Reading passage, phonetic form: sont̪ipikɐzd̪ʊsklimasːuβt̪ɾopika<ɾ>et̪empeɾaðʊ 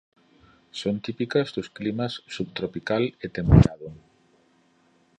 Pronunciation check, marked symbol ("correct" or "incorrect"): incorrect